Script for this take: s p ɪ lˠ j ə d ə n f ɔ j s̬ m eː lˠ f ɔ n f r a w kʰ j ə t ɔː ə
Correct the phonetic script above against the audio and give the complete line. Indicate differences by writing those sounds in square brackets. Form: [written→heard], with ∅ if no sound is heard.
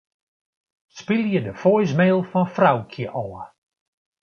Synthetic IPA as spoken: s p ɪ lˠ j ə d ə [n→∅] f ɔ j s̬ m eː lˠ f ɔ n f r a w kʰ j ə [t→ʔ] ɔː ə